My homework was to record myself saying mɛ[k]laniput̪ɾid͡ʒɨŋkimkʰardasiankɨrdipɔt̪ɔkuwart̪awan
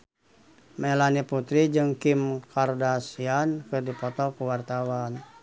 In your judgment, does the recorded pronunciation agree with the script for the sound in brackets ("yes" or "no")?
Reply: no